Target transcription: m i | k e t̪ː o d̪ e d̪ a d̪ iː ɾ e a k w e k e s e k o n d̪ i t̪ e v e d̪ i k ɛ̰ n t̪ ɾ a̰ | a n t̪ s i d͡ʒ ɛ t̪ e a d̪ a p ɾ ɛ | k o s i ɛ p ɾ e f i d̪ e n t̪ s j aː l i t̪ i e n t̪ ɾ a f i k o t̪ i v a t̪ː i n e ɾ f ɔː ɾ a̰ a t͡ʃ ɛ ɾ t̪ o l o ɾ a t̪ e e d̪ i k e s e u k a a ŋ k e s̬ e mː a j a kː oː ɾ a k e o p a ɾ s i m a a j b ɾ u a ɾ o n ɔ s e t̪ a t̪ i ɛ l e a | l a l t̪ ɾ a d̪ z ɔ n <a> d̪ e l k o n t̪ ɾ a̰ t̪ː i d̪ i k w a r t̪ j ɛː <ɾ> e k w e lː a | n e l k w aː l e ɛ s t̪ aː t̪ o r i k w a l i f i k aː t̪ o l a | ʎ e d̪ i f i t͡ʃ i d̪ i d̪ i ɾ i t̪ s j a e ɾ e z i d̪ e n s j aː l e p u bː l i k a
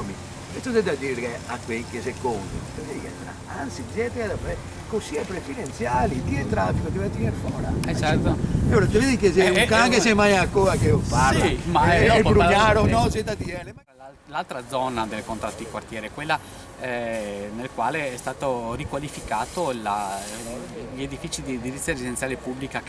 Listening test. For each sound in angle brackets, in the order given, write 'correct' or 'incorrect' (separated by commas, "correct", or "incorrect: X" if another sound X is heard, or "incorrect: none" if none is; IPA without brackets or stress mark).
correct, correct